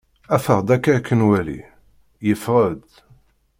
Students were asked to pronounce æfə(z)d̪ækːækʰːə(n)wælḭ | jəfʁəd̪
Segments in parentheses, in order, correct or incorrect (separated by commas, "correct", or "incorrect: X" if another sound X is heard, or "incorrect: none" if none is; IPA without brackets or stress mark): incorrect: ʁ, correct